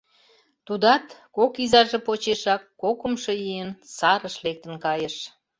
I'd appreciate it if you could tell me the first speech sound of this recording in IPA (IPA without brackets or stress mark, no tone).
t̪